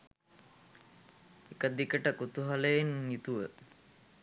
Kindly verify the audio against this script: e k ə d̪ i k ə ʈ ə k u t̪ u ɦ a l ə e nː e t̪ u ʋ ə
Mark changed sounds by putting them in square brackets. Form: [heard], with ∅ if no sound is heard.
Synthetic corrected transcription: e k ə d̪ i k ə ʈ ə k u t̪ u ɦ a l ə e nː [i] t̪ u ʋ ə